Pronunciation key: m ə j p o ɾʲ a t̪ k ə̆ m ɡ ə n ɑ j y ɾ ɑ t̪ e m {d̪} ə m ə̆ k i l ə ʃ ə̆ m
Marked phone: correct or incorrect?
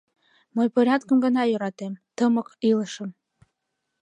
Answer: incorrect